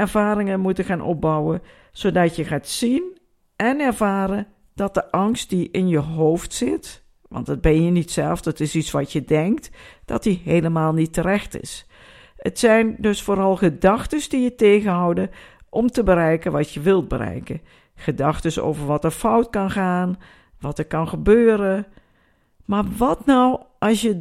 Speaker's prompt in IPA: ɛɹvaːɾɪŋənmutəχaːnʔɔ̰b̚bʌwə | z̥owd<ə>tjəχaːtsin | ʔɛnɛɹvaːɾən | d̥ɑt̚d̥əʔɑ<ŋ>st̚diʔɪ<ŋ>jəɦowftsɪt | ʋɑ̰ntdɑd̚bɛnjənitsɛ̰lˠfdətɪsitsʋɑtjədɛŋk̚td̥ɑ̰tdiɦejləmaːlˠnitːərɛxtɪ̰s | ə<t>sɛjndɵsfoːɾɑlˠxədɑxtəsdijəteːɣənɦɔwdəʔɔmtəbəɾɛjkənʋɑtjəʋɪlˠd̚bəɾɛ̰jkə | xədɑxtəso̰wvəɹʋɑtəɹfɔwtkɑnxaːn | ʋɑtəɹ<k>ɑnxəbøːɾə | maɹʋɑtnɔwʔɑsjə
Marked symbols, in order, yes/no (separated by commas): no, yes, no, yes, yes